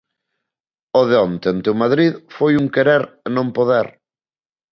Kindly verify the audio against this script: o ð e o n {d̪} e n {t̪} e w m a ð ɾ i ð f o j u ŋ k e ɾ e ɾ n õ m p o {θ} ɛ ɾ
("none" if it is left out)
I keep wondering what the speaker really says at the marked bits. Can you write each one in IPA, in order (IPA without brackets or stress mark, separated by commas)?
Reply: t̪, t̪, ð